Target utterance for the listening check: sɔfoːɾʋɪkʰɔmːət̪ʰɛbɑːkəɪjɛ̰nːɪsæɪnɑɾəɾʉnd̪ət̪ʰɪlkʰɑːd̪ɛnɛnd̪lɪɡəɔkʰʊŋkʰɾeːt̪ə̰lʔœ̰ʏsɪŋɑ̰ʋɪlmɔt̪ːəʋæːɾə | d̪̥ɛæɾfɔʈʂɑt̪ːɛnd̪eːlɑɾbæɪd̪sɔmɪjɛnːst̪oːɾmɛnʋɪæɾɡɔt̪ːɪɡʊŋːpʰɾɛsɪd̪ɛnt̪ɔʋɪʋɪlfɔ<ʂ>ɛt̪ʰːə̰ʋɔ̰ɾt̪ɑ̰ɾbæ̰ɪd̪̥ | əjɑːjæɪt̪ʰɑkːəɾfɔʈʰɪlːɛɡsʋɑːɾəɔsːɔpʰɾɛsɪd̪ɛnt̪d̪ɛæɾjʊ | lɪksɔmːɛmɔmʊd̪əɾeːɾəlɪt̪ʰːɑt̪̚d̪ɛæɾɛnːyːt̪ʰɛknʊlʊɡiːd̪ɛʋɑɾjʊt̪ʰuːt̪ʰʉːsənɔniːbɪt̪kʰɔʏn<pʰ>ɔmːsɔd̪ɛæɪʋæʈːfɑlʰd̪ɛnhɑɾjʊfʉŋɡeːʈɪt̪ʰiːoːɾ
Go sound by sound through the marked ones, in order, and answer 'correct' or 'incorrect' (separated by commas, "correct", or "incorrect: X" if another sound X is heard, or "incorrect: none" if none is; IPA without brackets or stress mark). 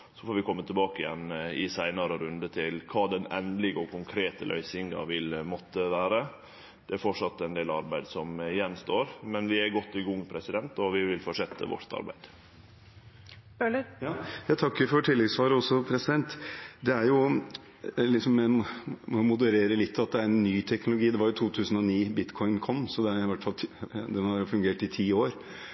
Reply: correct, incorrect: kʰ